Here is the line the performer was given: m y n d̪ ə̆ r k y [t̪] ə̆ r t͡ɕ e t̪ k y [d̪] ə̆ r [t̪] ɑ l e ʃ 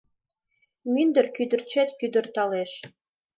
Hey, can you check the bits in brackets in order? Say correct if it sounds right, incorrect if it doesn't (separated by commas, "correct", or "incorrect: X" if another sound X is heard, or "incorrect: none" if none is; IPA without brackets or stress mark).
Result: incorrect: d̪, correct, correct